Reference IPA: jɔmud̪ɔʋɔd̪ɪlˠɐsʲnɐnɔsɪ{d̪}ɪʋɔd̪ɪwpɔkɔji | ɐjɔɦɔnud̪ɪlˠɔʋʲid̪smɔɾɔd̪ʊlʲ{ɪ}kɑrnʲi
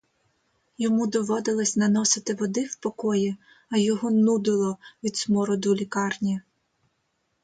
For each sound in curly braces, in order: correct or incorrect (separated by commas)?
incorrect, incorrect